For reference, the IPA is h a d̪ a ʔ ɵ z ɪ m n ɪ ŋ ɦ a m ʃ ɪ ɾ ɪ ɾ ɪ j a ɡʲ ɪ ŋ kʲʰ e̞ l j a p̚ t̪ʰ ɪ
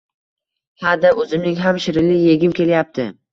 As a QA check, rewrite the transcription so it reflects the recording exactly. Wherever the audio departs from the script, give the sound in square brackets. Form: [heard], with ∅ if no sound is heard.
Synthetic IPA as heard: h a d̪ a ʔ ɵ z ɪ m n ɪ ŋ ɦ a m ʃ ɪ ɾ ɪ [l] ɪ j [e] ɡʲ ɪ [m] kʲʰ e̞ l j a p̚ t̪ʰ ɪ